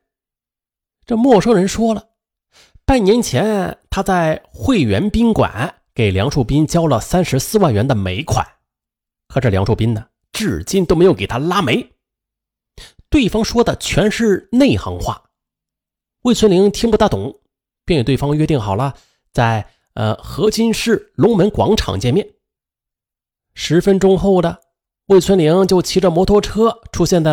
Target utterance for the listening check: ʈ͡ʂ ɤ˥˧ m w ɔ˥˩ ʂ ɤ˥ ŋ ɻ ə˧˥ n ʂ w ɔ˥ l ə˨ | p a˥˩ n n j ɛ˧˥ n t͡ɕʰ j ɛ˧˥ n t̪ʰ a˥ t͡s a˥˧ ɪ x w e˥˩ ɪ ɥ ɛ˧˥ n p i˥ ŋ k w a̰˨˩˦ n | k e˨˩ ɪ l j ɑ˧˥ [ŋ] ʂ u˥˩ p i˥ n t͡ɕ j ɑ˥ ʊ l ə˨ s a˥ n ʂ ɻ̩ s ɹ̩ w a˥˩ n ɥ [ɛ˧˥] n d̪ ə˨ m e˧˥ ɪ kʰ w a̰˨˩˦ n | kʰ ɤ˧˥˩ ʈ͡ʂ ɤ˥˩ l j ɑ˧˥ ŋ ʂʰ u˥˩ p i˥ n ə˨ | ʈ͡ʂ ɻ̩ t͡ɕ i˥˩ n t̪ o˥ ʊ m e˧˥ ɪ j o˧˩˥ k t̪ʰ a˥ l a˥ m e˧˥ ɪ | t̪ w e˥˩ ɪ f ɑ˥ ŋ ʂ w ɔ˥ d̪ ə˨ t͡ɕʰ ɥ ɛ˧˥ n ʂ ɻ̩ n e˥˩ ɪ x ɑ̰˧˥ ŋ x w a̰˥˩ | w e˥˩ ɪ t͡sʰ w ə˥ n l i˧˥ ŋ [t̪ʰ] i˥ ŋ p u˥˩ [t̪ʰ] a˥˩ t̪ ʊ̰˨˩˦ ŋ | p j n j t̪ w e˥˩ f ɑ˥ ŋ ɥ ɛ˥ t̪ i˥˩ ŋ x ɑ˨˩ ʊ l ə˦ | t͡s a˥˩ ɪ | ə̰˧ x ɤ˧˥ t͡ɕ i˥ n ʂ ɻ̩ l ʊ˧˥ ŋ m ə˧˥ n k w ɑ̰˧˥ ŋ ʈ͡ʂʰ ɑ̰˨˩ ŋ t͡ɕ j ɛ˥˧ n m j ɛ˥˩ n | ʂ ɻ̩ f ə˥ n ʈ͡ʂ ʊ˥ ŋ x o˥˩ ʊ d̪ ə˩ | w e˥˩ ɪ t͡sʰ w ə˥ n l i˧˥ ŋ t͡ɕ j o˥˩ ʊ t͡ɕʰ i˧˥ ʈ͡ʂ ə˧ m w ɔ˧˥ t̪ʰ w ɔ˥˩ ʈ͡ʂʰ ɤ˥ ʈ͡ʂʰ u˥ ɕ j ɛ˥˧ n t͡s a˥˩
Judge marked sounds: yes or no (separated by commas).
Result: yes, yes, yes, no